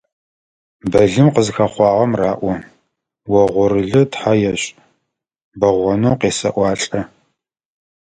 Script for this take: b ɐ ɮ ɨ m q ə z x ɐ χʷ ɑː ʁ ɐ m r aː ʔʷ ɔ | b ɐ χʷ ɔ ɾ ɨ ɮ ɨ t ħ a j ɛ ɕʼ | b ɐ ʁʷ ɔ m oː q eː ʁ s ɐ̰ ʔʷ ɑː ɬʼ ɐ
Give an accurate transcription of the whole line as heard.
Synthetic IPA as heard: b ɐ ɮ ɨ m q ə z x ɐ χʷ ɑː ʁ ɐ m r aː ʔʷ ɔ | w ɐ ʁʷ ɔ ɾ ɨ ɮ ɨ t ħ a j ɛ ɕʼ | b ɐ ʁʷ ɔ n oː q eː s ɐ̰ ʔʷ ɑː ɬʼ ɐ